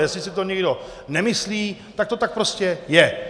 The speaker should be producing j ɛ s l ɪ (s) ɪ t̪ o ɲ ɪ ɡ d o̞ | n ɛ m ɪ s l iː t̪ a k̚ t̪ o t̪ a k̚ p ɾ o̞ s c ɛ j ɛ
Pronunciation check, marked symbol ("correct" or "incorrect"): correct